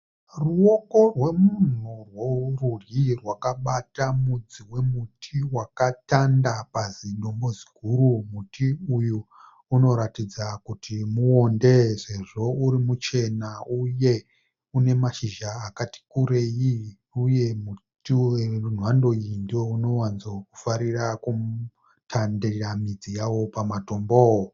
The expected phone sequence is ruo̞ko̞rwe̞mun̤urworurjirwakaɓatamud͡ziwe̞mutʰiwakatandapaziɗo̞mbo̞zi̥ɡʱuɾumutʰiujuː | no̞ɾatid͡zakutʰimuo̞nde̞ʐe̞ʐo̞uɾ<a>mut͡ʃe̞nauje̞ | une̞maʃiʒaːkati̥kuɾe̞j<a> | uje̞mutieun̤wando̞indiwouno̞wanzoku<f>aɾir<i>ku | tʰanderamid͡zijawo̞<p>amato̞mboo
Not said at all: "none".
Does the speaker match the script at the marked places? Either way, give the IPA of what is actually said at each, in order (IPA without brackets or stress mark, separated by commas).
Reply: i, i, f, a, p